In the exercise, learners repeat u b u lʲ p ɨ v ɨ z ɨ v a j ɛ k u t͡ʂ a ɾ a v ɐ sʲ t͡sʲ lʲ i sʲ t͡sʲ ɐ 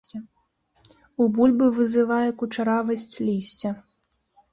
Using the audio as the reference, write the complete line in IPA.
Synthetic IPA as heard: u b u lʲ b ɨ v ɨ z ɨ v a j ɛ k u t͡ʂ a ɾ a v ɐ sʲ t͡sʲ lʲ i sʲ t͡sʲ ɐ

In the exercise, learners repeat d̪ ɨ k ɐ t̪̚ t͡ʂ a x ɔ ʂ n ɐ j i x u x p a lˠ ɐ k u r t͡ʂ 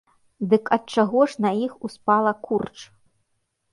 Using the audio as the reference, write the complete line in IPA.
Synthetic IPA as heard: d̪ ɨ k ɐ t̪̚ t͡ʂ a ɣ ɔ ʂ n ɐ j i x u s p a lˠ ɐ k u r t͡ʂ

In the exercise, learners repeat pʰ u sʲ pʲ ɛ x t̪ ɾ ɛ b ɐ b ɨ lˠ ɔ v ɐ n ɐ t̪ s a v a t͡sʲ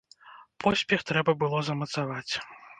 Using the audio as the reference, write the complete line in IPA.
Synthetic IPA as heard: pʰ ɔ sʲ pʲ ɛ x t̪ ɾ ɛ b ɐ b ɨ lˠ ɔ z ɐ m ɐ t̪ s a v a t͡sʲ

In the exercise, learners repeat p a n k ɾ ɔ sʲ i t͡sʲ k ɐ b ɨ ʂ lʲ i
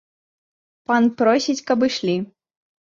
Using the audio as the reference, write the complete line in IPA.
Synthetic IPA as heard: p a n p ɾ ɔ sʲ i t͡sʲ k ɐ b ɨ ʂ lʲ i

